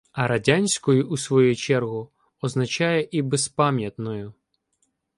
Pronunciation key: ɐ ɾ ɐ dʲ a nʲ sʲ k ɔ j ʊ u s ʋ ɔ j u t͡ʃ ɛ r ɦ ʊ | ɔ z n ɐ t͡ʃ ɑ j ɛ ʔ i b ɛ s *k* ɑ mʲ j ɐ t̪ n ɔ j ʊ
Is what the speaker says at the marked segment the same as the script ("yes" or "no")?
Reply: no